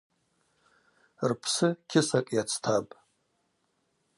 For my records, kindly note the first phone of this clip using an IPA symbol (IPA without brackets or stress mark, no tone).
r